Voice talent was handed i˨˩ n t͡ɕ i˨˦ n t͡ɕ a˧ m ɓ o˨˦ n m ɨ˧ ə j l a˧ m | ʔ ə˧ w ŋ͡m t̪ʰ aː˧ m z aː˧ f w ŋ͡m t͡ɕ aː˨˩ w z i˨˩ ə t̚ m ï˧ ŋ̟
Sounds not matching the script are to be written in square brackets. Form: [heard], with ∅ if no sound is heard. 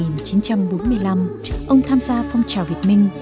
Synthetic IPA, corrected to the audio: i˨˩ n t͡ɕ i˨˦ n t͡ɕ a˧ m ɓ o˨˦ n m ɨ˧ ə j l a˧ m | ʔ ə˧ w ŋ͡m t̪ʰ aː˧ m z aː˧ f w ŋ͡m t͡ɕ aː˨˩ w [v] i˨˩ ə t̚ m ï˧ ŋ̟